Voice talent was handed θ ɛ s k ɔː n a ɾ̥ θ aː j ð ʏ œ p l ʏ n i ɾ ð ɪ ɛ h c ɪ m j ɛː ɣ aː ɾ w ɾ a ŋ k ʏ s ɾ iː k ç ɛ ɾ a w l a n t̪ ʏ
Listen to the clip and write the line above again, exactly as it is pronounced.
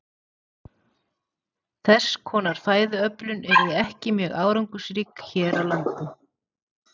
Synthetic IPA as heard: θ ɛ s kʰ ɔː n a ɾ̥ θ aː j ð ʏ œ p l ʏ n ɛ ɾ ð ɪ ɛ h c ɪ m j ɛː ɣ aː w ɾ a ŋ k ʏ s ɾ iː k ç ɛː ɾ a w l a n t̪ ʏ